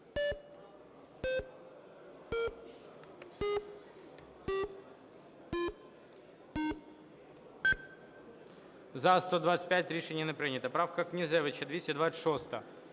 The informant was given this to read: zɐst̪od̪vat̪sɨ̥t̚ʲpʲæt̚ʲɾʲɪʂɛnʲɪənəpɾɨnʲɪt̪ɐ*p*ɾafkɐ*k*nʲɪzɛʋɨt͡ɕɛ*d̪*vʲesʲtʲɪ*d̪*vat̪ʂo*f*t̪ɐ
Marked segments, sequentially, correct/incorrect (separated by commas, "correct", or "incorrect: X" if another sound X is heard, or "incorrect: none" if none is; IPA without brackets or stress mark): correct, correct, correct, correct, incorrect: s